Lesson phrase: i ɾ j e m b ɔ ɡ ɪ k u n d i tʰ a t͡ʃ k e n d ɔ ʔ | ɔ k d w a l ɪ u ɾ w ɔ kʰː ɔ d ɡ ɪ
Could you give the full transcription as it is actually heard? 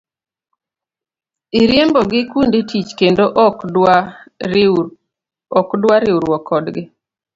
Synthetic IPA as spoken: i ɾ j e m b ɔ ɡ ɪ k u n d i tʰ i t͡ʃ k e n d o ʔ | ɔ k d w a ɾ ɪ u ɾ w ɔ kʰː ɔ d ɡ ɪ